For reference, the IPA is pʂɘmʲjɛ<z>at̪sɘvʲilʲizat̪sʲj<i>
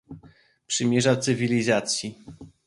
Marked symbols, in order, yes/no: no, yes

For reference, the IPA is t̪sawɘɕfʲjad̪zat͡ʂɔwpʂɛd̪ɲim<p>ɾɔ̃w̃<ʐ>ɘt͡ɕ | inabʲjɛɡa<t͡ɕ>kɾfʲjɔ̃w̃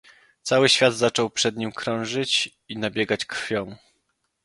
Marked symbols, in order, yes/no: no, yes, yes

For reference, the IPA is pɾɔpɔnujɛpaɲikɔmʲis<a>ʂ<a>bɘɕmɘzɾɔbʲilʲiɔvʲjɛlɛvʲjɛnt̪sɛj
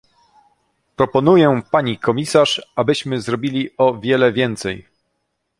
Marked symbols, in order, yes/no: yes, yes

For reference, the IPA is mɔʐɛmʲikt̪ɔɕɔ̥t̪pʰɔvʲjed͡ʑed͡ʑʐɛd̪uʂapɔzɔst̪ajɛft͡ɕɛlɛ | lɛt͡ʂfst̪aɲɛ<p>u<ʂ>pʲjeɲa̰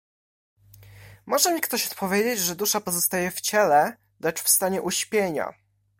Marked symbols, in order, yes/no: no, no

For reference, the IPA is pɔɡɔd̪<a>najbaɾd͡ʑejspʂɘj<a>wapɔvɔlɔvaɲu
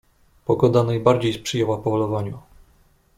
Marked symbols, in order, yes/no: yes, no

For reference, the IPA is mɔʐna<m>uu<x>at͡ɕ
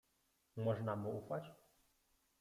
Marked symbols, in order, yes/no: yes, no

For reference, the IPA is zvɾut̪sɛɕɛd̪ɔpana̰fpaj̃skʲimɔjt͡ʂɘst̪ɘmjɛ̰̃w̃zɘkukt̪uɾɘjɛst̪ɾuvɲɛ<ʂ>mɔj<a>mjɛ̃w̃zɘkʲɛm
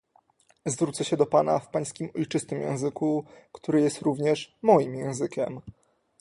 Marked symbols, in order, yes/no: yes, no

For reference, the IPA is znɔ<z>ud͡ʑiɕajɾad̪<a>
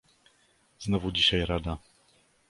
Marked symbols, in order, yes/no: no, yes

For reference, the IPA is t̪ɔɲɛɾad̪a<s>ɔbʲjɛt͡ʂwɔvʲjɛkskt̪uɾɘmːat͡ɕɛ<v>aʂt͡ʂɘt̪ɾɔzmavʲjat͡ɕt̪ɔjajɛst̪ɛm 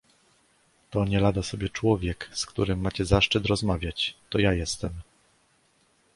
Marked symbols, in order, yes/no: yes, no

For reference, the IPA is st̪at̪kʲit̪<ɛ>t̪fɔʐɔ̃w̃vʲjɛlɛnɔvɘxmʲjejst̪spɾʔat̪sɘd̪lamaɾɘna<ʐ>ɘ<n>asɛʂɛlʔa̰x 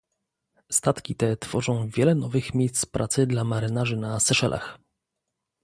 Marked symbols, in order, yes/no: yes, yes, yes

